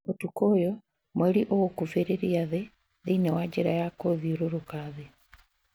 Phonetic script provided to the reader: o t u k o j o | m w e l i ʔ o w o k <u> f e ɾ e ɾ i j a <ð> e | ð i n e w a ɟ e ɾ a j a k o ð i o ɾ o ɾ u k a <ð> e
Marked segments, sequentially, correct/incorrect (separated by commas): correct, correct, correct